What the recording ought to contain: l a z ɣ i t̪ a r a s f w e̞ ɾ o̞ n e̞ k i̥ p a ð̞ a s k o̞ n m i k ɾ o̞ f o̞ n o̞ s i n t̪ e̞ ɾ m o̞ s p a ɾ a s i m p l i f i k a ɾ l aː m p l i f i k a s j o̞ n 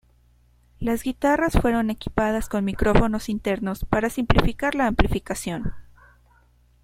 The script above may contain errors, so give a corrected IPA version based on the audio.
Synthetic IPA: l a z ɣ i t̪ a r a s f w e̞ ɾ o̞ n e̞ k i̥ p a ð̞ a s k o̞ n m i k ɾ o̞ f o̞ n o̞ s i n t̪ e̞ ɾ n o̞ s p a ɾ a s i m p l i f i k a ɾ l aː m p l i f i k a s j o̞ n

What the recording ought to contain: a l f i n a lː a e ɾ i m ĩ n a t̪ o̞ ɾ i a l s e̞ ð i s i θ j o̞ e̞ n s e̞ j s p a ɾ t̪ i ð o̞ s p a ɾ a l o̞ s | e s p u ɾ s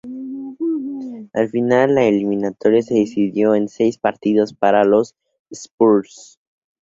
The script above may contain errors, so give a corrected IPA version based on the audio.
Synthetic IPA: a l f i n a lː a e l i m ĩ n a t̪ o̞ ɾ j a s e̞ ð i s i ð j o̞ e̞ n s e̞ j s p a ɾ t̪ i ð o̞ s p a ɾ a l o̞ s | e s p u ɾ s

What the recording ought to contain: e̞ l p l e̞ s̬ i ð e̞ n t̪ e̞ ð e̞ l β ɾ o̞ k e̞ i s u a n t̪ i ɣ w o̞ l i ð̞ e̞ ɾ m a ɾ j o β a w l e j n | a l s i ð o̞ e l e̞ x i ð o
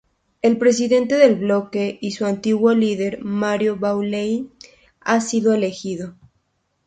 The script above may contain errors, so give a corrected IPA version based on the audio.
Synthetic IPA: e̞ l p ɾ e̞ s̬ i ð e̞ n t̪ e̞ ð e̞ l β l o̞ k e̞ i s u a n t̪ i ɣ w o̞ l i ð̞ e̞ ɾ m a ɾ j o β a w l e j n | a s i ð o̞ e l e̞ x i ð o

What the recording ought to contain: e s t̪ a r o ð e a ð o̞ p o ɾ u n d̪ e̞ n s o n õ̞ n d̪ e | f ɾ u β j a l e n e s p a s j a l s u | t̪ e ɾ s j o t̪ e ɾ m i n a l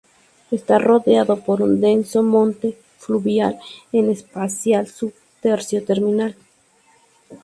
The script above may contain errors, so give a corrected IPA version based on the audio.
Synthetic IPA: e s t̪ a r o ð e a ð o̞ p o ɾ u n d̪ e̞ n s o m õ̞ n t̪ e | f l u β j a l e n e s p a s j a l s u | t̪ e ɾ s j o t̪ e ɾ m i n a l

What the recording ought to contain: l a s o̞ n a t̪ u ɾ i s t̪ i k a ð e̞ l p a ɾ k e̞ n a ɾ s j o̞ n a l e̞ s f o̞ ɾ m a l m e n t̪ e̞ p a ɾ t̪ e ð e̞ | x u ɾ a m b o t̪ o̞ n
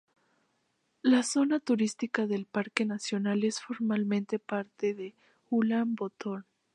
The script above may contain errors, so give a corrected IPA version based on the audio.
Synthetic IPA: l a s o̞ n a t̪ u ɾ i s t̪ i k a ð e̞ l p a ɾ k e̞ n a s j o̞ n a l e̞ s f o̞ ɾ m a l m ẽ n t̪ e̞ p a ɾ t̪ e ð e̞ | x u l a m b o t̪ o̞ n

